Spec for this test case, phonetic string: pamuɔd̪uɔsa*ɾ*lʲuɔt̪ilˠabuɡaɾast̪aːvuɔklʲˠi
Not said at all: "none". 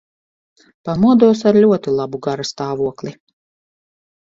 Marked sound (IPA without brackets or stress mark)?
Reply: ɾ